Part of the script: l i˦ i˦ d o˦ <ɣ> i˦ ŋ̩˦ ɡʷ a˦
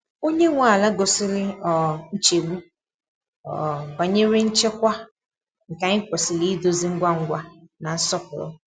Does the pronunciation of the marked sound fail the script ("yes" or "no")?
yes